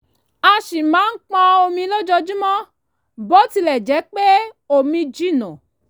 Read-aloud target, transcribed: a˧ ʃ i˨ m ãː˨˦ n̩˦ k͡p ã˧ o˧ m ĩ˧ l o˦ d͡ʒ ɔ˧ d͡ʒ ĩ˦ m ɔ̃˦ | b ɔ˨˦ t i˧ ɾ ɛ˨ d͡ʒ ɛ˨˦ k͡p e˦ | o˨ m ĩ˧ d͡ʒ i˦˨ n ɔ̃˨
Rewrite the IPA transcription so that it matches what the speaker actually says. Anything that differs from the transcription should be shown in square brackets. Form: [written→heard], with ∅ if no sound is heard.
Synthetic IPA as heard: a˧ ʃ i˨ m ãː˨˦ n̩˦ k͡p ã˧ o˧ m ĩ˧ l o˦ d͡ʒ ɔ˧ d͡ʒ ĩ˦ m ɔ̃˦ | b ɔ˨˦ t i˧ [ɾ→l] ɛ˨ d͡ʒ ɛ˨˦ k͡p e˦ | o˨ m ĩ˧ d͡ʒ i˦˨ n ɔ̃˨